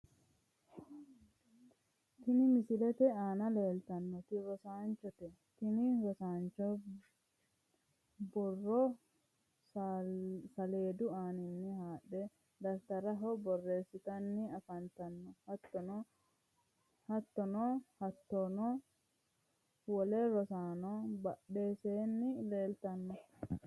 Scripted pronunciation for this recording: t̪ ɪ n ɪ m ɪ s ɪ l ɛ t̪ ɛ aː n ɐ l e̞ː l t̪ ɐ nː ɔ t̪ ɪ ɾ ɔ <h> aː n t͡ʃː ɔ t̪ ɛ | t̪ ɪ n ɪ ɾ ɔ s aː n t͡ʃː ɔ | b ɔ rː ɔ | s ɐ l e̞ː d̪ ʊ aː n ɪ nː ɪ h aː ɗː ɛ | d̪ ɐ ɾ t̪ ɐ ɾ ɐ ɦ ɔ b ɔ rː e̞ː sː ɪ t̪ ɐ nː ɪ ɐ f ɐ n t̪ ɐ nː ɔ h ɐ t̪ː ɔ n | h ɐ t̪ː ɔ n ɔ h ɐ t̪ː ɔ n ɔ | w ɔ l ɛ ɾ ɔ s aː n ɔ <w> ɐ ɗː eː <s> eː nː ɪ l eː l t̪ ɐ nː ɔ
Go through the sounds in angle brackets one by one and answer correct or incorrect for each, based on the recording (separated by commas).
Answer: incorrect, incorrect, correct